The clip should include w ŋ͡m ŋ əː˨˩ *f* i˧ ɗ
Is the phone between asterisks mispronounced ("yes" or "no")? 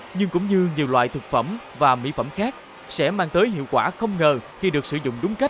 yes